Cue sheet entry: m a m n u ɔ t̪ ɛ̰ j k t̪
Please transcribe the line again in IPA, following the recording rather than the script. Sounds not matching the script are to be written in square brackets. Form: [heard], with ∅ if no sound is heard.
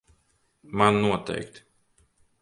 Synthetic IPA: m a [n] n u ɔ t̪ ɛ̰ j k t̪